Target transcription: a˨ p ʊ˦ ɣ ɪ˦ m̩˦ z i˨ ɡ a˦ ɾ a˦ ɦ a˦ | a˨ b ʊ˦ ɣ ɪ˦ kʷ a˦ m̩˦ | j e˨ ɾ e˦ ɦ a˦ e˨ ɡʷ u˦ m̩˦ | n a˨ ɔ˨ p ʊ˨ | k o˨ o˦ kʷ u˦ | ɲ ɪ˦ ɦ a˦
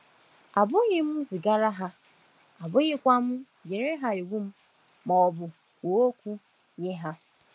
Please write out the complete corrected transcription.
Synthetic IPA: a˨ b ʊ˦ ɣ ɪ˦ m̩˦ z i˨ ɡ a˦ ɾ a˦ ɦ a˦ | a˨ b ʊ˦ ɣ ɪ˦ kʷ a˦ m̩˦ | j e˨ ɾ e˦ ɦ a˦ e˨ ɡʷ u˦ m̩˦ | m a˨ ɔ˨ b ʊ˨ | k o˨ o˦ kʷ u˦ | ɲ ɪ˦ ɦ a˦

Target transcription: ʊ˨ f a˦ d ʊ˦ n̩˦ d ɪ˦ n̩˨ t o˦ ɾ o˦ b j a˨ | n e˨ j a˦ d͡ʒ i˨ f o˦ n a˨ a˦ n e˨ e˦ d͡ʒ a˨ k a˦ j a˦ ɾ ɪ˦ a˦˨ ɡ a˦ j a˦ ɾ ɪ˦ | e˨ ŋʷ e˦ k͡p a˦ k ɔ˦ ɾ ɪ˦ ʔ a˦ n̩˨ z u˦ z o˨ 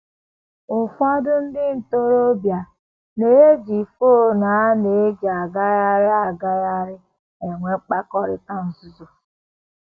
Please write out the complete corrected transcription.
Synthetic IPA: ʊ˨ f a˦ d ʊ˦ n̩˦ d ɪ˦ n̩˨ t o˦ ɾ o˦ b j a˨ | n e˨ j e˦ d͡ʒ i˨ f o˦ n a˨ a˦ n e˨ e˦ d͡ʒ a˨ ɡ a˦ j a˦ ɾ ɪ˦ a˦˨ ɡ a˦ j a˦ ɾ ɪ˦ | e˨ ŋʷ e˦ k͡p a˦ k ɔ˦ ɾ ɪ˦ t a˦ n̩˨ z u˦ z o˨

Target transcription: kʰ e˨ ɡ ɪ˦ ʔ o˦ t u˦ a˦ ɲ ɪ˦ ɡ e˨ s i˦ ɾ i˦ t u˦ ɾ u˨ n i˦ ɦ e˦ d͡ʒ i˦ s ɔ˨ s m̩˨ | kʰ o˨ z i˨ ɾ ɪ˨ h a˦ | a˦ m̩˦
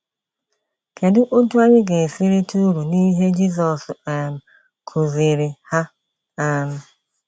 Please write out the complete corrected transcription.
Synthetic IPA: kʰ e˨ d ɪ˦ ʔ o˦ t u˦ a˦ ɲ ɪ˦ ɡ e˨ s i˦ ɾ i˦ t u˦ ɾ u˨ n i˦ ɦ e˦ d͡ʒ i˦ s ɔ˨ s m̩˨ | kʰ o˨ z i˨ ɾ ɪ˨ h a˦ | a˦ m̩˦

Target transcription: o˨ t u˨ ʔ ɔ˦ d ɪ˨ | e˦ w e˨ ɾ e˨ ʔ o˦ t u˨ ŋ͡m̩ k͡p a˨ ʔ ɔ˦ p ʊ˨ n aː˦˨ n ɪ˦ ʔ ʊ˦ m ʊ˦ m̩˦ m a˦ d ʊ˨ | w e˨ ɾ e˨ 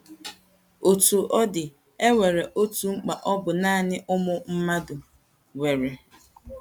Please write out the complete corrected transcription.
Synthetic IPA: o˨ t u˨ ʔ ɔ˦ d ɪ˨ | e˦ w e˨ ɾ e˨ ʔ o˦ t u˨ ŋ͡m̩ k͡p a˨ ʔ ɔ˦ b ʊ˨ n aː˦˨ n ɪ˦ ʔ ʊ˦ m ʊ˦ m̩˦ m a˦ d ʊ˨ | w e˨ ɾ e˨

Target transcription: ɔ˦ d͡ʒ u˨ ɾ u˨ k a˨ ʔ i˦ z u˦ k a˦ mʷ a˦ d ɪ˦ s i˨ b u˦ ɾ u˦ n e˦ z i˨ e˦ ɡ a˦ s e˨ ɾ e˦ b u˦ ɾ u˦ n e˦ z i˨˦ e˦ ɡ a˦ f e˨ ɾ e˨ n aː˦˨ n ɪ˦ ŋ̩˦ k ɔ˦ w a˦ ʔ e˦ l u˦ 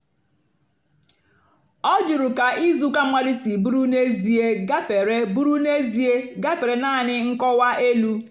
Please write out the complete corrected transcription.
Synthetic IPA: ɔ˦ d͡ʒ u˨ ɾ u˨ k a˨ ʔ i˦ z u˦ k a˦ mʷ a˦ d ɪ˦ s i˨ b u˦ ɾ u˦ n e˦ z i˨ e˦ ɡ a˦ f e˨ ɾ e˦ b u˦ ɾ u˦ n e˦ z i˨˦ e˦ ɡ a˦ f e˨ ɾ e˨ n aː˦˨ n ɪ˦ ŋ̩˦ k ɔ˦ w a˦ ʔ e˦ l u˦

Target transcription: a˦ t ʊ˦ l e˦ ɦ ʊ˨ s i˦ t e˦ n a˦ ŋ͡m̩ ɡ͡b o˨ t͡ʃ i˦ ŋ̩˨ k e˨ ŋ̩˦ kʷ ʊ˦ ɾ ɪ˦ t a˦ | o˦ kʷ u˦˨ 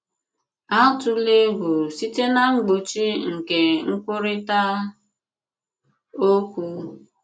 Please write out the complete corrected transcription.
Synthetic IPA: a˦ t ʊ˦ l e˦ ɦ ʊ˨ s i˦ t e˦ n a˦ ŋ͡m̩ ɡ͡b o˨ t͡ʃ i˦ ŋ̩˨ k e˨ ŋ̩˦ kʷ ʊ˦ ɾ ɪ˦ t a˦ | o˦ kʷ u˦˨

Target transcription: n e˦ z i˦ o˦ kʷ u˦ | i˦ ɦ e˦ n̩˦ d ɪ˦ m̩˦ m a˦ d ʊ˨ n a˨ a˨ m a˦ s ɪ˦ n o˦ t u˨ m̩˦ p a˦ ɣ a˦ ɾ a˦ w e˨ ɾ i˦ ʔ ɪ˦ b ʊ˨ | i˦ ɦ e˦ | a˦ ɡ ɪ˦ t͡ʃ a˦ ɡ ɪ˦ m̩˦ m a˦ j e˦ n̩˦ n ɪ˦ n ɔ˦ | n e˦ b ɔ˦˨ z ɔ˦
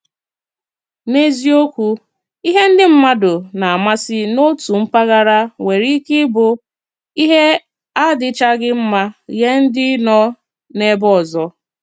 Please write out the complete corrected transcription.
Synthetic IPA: n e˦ z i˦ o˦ kʷ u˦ | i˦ ɦ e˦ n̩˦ d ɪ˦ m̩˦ m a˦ d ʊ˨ n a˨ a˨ m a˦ s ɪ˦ n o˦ t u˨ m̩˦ p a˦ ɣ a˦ ɾ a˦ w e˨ ɾ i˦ k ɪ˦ b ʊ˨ | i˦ ɦ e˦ | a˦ d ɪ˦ t͡ʃ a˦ ɡ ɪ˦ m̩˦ m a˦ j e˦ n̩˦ d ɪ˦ n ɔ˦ | n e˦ b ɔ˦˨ z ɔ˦

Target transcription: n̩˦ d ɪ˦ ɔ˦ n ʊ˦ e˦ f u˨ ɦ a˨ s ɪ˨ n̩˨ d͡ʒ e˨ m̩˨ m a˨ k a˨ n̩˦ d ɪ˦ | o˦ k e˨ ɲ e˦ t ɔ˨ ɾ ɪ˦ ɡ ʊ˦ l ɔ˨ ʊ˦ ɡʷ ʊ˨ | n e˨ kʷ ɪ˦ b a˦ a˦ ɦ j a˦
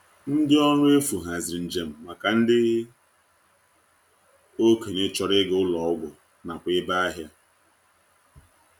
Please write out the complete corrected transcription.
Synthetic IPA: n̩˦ d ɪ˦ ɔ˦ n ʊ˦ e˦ f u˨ ɦ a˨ z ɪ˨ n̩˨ d͡ʒ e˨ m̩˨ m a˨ k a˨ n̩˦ d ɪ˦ | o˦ k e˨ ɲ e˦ t͡ʃ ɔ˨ ɾ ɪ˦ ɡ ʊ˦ l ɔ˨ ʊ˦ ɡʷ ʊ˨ | n a˨ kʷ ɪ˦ b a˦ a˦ ɦ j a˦

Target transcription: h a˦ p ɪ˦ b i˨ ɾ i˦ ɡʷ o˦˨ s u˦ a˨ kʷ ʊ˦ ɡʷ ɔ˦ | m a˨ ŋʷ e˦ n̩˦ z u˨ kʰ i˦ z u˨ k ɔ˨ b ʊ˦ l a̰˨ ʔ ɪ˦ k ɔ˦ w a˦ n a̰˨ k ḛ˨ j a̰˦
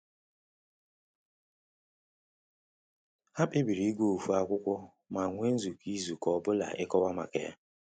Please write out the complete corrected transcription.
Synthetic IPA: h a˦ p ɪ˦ b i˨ ɾ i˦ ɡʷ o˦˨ f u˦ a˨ kʷ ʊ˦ kʷ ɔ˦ | m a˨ ŋʷ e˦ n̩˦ z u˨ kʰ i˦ z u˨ k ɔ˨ b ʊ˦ l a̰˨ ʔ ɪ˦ k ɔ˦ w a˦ m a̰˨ k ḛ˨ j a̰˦

